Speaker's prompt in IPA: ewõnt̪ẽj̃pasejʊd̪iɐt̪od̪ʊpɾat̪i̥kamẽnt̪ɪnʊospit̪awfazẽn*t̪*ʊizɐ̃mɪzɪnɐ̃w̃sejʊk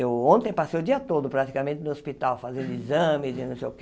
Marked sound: incorrect: d̪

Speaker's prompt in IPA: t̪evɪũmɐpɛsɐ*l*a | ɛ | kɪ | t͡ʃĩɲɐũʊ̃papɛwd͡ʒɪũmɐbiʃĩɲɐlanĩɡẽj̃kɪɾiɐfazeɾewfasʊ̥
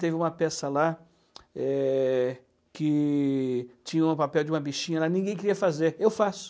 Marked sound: correct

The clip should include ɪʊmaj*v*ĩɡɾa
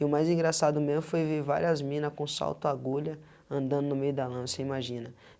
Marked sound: incorrect: z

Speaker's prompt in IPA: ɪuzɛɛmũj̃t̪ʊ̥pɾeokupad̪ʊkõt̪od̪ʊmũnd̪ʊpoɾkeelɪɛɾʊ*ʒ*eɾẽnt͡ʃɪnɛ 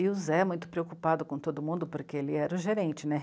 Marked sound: correct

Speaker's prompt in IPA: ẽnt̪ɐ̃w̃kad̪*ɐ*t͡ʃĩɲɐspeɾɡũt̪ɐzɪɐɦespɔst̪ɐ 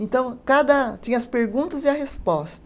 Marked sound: correct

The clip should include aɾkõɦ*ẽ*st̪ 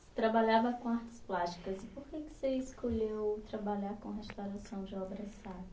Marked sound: incorrect: e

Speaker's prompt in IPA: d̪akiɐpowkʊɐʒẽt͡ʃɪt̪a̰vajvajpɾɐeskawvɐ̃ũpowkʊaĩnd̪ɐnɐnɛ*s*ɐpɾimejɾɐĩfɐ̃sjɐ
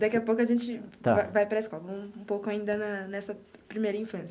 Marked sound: correct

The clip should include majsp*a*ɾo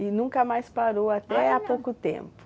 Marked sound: correct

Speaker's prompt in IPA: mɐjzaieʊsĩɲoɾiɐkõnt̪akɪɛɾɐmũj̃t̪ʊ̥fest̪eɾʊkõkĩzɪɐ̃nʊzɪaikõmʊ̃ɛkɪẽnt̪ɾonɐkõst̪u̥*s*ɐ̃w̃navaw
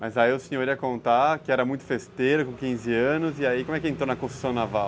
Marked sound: correct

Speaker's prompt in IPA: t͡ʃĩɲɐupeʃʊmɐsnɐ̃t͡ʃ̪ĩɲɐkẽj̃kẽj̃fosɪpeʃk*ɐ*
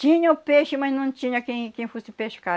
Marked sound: incorrect: a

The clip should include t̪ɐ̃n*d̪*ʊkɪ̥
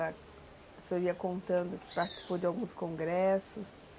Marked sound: correct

